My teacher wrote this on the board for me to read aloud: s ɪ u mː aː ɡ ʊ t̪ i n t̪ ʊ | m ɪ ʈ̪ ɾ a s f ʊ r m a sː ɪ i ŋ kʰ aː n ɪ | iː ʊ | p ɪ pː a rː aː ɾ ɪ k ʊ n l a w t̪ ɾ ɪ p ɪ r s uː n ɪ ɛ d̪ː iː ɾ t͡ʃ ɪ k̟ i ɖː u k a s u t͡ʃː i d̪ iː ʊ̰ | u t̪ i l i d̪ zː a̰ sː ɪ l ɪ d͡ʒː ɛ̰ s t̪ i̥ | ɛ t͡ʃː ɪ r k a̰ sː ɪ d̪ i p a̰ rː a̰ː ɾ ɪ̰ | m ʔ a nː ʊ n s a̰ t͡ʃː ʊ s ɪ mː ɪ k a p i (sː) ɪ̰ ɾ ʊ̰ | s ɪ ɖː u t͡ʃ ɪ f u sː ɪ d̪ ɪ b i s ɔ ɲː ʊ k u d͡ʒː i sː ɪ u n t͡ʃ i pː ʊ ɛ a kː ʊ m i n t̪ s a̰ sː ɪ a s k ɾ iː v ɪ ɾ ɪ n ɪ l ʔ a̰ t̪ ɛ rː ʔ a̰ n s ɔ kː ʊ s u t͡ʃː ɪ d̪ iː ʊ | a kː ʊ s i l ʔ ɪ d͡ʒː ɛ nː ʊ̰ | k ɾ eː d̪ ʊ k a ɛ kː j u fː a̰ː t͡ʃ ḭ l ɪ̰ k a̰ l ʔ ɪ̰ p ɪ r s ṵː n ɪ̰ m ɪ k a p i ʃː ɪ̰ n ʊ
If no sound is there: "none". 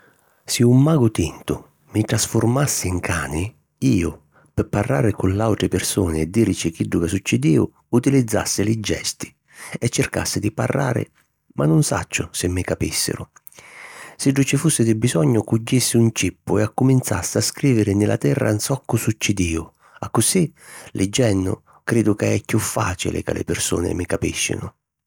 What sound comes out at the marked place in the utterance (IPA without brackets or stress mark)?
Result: sː